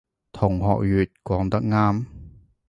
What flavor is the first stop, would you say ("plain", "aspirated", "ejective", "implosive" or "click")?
aspirated